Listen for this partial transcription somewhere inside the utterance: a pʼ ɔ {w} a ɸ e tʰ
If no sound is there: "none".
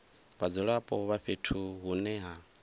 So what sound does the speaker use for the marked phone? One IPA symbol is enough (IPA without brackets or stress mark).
β